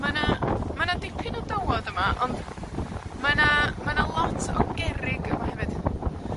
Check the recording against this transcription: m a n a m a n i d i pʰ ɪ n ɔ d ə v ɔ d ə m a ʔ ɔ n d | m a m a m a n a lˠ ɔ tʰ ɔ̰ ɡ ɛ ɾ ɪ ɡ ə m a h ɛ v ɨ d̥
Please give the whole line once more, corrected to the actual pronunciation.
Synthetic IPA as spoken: m a n a m a n a d ɪ pʰ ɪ n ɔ d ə w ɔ d ə m a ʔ ɔ n d | m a n a m a n a lˠ ɔ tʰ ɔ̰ ɡ ɛ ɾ ɪ ɡ ə m a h ɛ v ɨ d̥

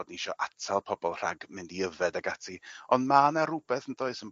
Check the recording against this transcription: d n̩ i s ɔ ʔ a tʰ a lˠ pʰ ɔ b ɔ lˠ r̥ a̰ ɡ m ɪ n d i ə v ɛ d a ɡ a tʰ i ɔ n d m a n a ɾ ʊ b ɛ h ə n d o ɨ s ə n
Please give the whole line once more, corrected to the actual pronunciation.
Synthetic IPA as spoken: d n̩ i ʃ ɔ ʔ a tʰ a lˠ pʰ ɔ b ɔ lˠ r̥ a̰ ɡ m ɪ n d i ə v ɛ d a ɡ a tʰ i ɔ n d m a n a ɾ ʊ b ɛ θ ə n d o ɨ s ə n

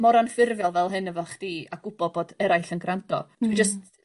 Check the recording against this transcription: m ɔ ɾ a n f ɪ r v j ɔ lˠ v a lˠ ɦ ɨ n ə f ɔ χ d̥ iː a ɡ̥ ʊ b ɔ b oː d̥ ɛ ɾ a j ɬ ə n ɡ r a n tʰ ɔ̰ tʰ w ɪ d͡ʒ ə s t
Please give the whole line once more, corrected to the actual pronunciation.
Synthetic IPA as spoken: m ɔ ɾ a n f ɪ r v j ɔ lˠ v ɛ lˠ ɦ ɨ n ə v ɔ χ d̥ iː a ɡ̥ ʊ b ɔ b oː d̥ ɛ ɾ a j ɬ ə n ɡ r a n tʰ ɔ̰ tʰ w i d͡ʒ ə s t

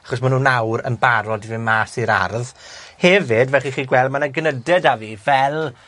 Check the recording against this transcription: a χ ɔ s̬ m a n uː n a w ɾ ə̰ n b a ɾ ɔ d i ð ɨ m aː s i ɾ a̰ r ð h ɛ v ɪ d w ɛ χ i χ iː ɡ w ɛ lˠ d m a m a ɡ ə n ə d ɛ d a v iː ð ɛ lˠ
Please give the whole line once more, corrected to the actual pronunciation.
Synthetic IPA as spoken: a χ ɔ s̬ m a n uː n a w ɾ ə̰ n b a ɾ ɔ d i v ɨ m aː s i ɾ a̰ r ð h ɛ v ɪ d v ɛ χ i χ iː ɡ w ɛ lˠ d m a n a ɡ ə n ə d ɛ d a v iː v ɛ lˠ

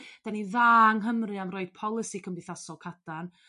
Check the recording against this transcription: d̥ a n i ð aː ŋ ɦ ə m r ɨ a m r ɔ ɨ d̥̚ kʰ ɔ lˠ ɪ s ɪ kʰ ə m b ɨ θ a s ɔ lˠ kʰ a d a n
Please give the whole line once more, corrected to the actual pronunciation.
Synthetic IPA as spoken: d̥ a n i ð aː ŋ ɦ ə m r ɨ a m r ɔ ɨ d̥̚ pʰ ɔ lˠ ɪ s i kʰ ə m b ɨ θ a s ɔ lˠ kʰ a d a n

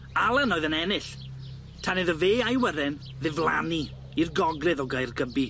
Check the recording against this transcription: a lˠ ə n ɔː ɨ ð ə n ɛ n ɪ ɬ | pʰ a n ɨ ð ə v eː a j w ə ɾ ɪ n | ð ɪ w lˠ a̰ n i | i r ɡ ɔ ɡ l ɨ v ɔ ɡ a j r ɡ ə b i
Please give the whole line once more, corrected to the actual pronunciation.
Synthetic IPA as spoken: a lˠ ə n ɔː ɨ ð ə n ɛ n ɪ ɬ | tʰ a n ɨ ð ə v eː a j w ə ɾ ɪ n | ð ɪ v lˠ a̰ n i | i r ɡ ɔ ɡ l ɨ ð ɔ ɡ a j r ɡ ə b i

